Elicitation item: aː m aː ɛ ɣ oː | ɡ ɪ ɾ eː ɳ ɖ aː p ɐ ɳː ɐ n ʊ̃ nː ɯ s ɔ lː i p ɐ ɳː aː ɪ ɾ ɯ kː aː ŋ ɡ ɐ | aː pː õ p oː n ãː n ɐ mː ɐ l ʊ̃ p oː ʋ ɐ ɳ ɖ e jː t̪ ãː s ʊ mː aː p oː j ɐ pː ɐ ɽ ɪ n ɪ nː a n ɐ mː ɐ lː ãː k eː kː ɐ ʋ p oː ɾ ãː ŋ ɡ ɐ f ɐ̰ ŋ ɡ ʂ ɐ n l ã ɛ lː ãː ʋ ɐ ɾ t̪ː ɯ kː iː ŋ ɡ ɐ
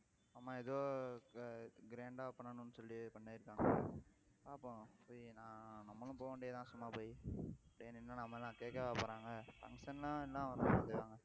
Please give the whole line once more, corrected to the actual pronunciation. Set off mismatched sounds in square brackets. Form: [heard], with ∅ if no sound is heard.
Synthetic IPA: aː m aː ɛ [ð] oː | ɡ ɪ ɾ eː ɳ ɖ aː p ɐ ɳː ɐ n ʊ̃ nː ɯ s ɔ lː i p ɐ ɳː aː ɪ ɾ ɯ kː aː ŋ ɡ ɐ | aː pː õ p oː n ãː n ɐ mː ɐ l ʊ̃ p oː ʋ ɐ ɳ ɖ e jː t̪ ãː s ʊ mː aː p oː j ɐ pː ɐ ɽ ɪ n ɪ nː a n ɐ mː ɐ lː ãː k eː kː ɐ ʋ p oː ɾ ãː ŋ ɡ ɐ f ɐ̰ ŋ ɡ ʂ ɐ n l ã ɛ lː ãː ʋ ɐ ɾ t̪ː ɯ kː [aː] ŋ ɡ ɐ

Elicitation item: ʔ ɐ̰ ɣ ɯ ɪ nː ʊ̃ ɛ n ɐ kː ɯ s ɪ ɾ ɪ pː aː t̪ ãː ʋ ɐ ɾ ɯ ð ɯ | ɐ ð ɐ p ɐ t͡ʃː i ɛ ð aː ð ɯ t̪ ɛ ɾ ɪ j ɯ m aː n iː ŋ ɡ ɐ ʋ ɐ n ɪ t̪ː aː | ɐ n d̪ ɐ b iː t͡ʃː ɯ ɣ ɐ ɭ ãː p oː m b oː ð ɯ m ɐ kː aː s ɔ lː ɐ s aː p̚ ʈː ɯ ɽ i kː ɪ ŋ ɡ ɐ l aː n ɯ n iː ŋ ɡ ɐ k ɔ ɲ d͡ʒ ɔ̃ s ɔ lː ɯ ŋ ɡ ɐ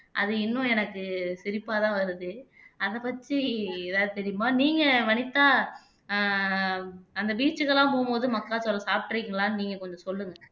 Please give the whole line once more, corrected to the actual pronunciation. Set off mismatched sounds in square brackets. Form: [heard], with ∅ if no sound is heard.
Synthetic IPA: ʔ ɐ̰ [ð] ɯ ɪ nː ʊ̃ ɛ n ɐ kː ɯ s ɪ ɾ ɪ pː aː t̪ ãː ʋ ɐ ɾ ɯ ð ɯ | ɐ ð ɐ p ɐ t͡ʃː i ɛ ð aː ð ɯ t̪ ɛ ɾ ɪ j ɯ m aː n iː ŋ ɡ ɐ ʋ ɐ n ɪ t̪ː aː | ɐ n d̪ ɐ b iː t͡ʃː ɯ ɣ ɐ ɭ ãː p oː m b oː ð ɯ m ɐ kː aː s ɔ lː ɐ s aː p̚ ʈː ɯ [ɾ] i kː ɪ ŋ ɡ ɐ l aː n ɯ n iː ŋ ɡ ɐ k ɔ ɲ d͡ʒ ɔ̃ s ɔ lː ɯ ŋ ɡ ɐ

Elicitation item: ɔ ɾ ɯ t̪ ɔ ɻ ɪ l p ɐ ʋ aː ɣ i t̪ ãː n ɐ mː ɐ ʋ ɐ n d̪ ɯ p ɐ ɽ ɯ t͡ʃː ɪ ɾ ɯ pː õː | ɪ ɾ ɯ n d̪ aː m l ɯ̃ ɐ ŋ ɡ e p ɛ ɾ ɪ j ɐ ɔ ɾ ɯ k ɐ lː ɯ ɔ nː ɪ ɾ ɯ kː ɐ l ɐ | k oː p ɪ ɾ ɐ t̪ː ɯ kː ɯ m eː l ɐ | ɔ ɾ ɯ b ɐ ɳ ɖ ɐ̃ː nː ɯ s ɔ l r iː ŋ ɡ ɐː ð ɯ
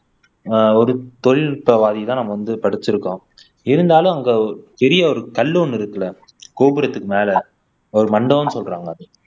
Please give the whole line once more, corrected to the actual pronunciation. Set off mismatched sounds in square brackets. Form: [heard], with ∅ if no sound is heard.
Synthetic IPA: ɔ ɾ ɯ t̪ ɔ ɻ ɪ l p ɐ ʋ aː [ð] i t̪ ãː n ɐ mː ɐ ʋ ɐ n d̪ ɯ p ɐ ɽ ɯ t͡ʃː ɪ ɾ ɯ [kː] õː | ɪ ɾ ɯ n d̪ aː [∅] l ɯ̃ ɐ ŋ ɡ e p ɛ ɾ ɪ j ɐ ɔ ɾ ɯ k ɐ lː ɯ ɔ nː ɪ ɾ ɯ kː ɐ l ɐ | k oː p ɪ ɾ ɐ t̪ː ɯ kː ɯ m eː l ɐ | ɔ ɾ ɯ [m] ɐ ɳ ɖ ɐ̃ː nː ɯ s ɔ l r [aː] ŋ ɡ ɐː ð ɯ

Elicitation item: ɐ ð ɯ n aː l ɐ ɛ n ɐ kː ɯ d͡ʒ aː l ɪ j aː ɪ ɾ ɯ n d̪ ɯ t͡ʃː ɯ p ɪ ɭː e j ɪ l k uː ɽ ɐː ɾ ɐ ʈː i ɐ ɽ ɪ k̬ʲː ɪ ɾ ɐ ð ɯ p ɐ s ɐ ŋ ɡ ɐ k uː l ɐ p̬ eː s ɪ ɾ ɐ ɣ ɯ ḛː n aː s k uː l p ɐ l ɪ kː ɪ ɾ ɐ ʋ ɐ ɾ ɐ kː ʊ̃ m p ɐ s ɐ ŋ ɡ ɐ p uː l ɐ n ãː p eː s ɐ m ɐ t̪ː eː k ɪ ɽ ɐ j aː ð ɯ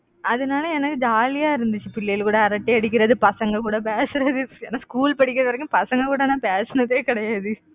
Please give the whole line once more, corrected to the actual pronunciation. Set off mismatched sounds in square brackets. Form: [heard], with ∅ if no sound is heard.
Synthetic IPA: ɐ ð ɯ n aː l ɐ ɛ n ɐ kː ɯ d͡ʒ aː l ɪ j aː ɪ ɾ ɯ n d̪ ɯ t͡ʃː ɯ p ɪ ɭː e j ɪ l k uː ɽ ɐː ɾ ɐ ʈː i ɐ ɽ ɪ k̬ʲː ɪ ɾ ɐ ð ɯ p ɐ s ɐ ŋ ɡ ɐ k uː [ɽ] ɐ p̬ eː s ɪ ɾ ɐ [ð] ɯ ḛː n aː s k uː l p ɐ [ɽ] ɪ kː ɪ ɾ ɐ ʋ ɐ ɾ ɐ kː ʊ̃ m p ɐ s ɐ ŋ ɡ ɐ [k] uː [ɽ] ɐ n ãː p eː s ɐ [n] ɐ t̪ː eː k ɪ ɽ ɐ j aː ð ɯ

